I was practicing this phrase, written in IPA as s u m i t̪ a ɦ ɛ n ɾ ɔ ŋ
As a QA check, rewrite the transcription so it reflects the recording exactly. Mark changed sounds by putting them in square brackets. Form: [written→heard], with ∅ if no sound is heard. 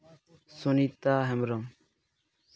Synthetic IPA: s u [m→n] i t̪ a ɦ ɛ [n→m] ɾ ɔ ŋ